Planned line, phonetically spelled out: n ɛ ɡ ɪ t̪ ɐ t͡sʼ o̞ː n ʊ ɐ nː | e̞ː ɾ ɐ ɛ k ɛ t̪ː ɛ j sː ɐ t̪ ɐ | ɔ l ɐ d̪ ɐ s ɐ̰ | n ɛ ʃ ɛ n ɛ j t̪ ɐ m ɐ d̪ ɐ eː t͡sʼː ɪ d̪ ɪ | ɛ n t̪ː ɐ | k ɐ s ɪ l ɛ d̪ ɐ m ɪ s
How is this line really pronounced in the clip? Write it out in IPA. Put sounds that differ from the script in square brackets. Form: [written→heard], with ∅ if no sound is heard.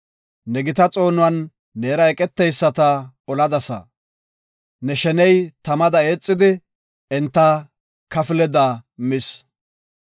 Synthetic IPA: n ɛ ɡ ɪ t̪ ɐ t͡sʼ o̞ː n ʊ ɐ nː | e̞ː ɾ ɐ ɛ [k→kʼ] ɛ t̪ː ɛ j sː ɐ t̪ ɐ | ɔ l ɐ d̪ ɐ s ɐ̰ | n ɛ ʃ ɛ n ɛ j t̪ ɐ m ɐ d̪ ɐ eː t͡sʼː ɪ d̪ ɪ | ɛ n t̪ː ɐ | k ɐ [s→f] ɪ l ɛ d̪ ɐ m ɪ s